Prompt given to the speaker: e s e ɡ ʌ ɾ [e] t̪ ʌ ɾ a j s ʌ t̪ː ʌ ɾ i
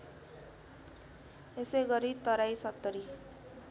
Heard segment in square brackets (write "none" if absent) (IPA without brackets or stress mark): i